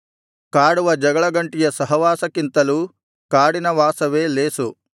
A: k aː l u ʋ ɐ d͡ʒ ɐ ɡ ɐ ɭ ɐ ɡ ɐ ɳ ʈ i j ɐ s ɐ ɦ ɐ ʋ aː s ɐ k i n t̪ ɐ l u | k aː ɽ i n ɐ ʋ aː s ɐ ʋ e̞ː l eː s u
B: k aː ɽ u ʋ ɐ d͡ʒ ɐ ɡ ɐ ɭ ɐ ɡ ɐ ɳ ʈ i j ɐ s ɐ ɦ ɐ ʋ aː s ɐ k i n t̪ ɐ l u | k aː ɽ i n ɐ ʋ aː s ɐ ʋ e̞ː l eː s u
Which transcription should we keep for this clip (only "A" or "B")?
B